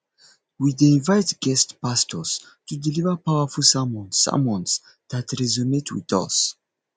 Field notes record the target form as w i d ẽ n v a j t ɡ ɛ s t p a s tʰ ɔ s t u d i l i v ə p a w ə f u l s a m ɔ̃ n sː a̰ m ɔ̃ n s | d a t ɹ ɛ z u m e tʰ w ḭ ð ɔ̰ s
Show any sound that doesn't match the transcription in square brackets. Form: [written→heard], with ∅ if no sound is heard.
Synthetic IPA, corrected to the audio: w i d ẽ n v a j t ɡ ɛ s t p a s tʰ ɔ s t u d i l i v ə p a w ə f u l s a m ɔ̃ n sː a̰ m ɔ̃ n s | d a t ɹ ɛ z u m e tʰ w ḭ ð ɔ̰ s